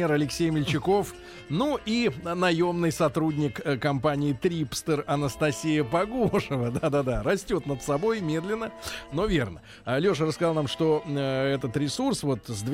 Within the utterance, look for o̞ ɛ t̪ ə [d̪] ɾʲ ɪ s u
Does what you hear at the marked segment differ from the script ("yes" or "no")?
yes